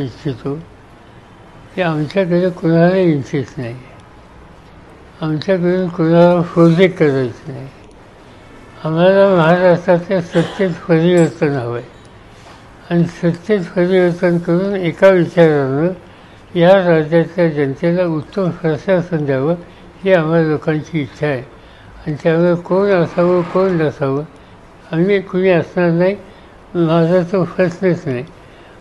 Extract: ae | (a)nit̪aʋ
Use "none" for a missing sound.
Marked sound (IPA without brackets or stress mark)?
a